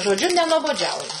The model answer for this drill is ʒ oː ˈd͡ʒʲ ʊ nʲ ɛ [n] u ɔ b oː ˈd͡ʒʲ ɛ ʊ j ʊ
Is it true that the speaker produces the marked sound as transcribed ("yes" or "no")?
yes